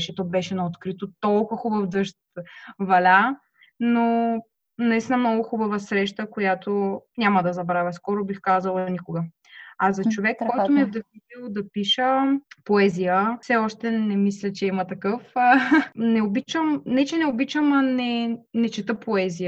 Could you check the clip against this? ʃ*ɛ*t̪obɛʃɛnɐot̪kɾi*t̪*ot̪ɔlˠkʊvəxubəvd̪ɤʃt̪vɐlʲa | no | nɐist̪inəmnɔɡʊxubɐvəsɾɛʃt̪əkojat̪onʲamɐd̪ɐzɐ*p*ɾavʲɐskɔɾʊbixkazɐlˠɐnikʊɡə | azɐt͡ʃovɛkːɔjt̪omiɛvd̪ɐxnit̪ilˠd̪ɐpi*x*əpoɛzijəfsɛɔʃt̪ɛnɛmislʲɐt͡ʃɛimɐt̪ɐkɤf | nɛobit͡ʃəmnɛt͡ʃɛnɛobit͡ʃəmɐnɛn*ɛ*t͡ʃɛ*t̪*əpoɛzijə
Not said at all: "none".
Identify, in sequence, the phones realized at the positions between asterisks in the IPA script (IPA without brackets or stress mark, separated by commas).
ɛ, t̪, b, ʃ, ɛ, t̪